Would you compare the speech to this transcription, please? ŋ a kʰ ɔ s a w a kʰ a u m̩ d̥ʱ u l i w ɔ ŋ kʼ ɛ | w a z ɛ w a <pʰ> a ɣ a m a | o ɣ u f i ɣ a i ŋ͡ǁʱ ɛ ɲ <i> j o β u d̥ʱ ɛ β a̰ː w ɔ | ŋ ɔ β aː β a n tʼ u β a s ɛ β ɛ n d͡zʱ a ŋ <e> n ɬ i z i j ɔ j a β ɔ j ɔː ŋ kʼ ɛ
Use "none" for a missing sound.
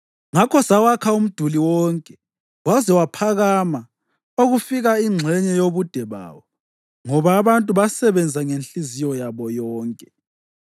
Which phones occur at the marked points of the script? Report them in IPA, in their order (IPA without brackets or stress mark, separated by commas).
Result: pʰ, ɛ, e